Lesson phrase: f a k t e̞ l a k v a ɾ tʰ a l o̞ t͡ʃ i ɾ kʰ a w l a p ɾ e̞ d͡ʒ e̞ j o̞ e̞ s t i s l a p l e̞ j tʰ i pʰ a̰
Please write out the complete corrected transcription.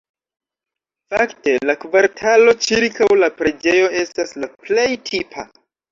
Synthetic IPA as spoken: f a k t e̞ l a k v a ɾ tʰ a l o̞ t͡ʃ i ɾ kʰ a w l a p ɾ e̞ d͡ʒ e̞ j o̞ e̞ s t a s l a p l e̞ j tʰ i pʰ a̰